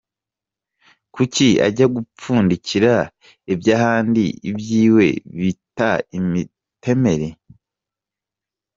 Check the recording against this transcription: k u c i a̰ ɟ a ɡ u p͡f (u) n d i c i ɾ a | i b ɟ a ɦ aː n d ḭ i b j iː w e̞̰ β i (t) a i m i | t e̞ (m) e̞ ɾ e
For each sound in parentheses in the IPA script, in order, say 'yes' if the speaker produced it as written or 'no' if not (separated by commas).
no, yes, yes